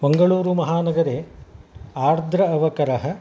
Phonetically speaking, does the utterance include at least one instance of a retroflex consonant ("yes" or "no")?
yes